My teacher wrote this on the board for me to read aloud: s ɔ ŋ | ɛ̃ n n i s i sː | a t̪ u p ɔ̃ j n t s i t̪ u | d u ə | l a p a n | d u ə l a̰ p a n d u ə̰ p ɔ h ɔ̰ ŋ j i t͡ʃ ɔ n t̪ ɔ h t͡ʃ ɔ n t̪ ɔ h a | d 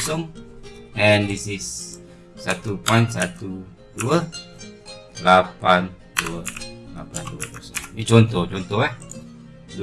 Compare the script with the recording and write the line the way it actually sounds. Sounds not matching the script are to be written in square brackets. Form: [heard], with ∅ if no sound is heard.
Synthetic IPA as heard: s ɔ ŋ | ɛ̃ n [d] i s i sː | a t̪ u p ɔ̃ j n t s [a] t̪ u | d u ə | l a p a n | d u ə l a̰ p a n d u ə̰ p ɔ [s] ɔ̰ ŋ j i t͡ʃ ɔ n t̪ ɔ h t͡ʃ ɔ n t̪ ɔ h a | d

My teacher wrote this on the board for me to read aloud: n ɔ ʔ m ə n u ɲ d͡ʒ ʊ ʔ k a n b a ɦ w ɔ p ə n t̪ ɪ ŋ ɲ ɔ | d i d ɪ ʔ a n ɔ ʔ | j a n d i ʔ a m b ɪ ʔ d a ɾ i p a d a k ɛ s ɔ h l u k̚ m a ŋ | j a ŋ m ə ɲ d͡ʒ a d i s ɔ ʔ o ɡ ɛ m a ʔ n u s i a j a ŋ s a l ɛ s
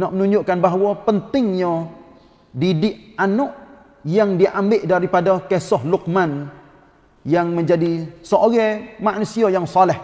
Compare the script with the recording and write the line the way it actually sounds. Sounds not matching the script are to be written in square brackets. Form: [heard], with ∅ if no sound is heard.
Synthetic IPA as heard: n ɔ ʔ m ə n u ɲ d͡ʒ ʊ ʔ k a n b a ɦ w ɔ p ə n t̪ ɪ ŋ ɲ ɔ | d i d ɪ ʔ a n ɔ ʔ | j a [ŋ] d i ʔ a m b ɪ ʔ d a ɾ i p a d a k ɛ s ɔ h l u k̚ m a [n] | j a ŋ m ə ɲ d͡ʒ a d i s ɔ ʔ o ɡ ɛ m a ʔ n u s i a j a ŋ s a l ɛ [h]

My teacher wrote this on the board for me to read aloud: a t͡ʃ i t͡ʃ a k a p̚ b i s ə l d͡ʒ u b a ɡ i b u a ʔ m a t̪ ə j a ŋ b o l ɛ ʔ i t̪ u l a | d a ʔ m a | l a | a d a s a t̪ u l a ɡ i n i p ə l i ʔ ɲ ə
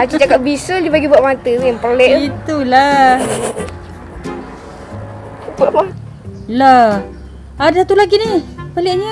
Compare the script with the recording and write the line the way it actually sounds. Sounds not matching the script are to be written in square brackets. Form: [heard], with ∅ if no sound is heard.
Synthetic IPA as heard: a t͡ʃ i t͡ʃ a k a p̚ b i s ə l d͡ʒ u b a ɡ i b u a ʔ m a t̪ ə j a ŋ [p] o l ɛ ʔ i t̪ u l a | [b] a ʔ m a | l a | a d a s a t̪ u l a ɡ i n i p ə l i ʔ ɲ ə

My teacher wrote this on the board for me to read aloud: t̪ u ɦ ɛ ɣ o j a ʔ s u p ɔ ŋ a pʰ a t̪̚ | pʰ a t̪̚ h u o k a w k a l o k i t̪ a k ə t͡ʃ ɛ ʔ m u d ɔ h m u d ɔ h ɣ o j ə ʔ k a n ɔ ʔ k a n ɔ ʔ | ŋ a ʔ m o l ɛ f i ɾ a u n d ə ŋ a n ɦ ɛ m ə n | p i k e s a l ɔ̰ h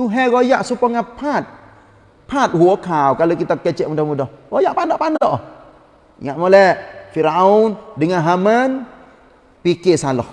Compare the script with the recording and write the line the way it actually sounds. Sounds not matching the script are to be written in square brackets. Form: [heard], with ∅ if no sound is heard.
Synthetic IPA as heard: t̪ u ɦ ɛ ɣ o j a ʔ s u p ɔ ŋ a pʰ a t̪̚ | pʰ a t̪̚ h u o k a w k a l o k i t̪ a k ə t͡ʃ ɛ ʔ m u d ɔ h m u d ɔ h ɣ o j [a] ʔ [p] a n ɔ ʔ [p] a n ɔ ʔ | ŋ a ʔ m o l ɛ f i ɾ a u n d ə ŋ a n ɦ [a] m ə n | p i k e s a l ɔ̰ h

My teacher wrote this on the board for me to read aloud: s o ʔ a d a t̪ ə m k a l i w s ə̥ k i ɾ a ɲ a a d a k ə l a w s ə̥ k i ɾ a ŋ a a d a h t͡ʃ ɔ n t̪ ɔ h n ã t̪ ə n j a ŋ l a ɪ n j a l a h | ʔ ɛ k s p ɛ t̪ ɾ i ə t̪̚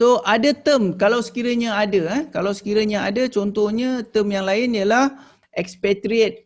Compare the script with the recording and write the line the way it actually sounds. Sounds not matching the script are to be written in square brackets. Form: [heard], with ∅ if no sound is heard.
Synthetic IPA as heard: s o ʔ a d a t̪ ə m k a l [a] w s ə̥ k i ɾ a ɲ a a d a k [a] l a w s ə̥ k i ɾ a [ɲ] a a d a [∅] t͡ʃ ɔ n t̪ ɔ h [ɲ] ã t̪ ə [m] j a ŋ l a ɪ n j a l a h | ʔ ɛ k s p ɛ t̪ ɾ i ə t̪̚

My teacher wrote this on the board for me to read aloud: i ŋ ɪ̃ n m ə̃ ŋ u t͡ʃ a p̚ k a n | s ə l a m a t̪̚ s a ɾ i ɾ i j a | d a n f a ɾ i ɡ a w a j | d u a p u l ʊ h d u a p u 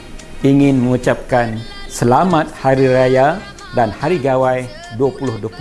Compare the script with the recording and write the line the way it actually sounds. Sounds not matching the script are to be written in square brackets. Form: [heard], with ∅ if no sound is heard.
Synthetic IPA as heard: i ŋ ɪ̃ n m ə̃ ŋ u t͡ʃ a p̚ k a n | s ə l a m a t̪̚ [h] a ɾ i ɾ [a] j a | d a n [h] a ɾ i ɡ a w a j | d u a p u l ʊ h d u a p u

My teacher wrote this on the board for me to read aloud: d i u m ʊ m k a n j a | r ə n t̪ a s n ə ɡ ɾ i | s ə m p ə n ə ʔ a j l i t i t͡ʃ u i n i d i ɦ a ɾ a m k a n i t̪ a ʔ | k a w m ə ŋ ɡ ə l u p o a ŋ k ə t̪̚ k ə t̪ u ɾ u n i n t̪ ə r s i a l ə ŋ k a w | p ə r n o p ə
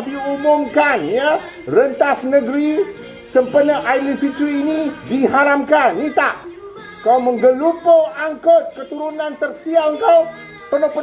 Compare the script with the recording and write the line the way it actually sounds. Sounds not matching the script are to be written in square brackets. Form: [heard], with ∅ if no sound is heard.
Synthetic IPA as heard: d i u m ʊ m k a n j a | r ə n t̪ a s n ə ɡ ɾ i | s ə m p ə n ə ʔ a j l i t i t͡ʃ u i n i d i ɦ a ɾ a m k a n i t̪ a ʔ | k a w m ə ŋ ɡ ə l u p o a ŋ k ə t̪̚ k ə t̪ u ɾ u n [a] n t̪ ə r s i a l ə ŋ k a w | p ə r n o p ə

